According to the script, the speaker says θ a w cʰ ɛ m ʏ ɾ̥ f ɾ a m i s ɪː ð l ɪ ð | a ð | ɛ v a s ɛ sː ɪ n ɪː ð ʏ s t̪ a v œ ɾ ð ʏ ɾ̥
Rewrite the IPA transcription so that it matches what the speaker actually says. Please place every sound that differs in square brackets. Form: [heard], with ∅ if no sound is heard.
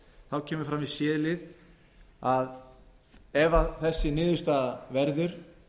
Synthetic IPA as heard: θ a w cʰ [ɛː] m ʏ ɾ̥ f ɾ a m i s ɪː ð l ɪ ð | a ð | ɛ v a [θ] ɛ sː ɪ n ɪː ð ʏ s t̪ a v [ɛ] ɾ ð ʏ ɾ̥